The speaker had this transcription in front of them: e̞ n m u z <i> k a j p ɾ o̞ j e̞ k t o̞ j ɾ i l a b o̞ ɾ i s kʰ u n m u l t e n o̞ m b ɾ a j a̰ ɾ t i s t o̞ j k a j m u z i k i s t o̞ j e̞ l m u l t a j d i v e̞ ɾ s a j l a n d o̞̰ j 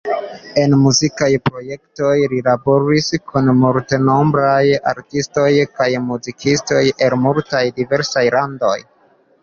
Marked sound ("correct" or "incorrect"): correct